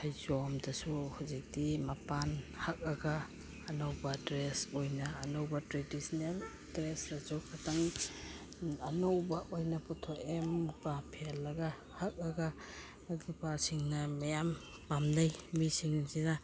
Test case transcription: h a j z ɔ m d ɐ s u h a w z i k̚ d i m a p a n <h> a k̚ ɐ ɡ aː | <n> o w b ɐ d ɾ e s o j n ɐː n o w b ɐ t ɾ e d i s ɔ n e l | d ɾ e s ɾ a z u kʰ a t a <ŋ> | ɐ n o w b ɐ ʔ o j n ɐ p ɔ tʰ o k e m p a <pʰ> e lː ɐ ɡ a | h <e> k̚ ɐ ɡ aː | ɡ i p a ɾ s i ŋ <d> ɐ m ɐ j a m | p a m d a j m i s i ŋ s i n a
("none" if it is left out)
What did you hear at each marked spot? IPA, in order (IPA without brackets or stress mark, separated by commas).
h, n, ŋ, pʰ, a, n